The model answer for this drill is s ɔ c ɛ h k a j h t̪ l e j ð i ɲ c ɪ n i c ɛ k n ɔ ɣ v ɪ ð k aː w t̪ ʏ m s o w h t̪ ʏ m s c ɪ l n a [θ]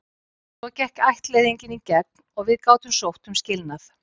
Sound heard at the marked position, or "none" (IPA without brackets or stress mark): θ